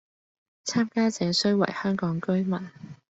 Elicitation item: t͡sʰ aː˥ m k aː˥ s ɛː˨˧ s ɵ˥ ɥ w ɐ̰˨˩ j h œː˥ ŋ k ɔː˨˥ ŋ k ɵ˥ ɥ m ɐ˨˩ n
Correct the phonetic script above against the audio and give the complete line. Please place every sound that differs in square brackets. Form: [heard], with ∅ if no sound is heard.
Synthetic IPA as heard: t͡sʰ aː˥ m k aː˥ [t͡s] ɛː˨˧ s ɵ˥ ɥ w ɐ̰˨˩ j h œː˥ ŋ k ɔː˨˥ ŋ k ɵ˥ ɥ m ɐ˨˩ n